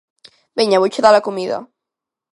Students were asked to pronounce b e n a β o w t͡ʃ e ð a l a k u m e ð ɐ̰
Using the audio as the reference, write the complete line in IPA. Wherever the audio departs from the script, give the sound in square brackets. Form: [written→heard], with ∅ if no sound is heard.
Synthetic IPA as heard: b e [n→ɲ] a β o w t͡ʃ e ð a l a k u m [e→i] ð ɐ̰